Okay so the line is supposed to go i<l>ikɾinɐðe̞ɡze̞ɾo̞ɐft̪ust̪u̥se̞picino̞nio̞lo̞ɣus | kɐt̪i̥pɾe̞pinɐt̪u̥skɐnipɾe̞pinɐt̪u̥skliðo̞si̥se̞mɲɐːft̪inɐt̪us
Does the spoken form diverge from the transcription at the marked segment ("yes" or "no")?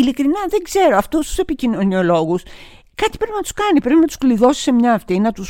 no